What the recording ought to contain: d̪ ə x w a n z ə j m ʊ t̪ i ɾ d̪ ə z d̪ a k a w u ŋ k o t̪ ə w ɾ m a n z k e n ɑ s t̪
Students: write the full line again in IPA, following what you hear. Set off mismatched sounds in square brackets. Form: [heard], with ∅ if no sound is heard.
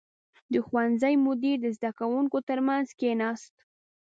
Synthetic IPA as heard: d̪ ə x w a n z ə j m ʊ [d̪] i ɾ d̪ ə z d̪ a k a w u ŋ k o t̪ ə [∅] ɾ m a n z k e n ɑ s t̪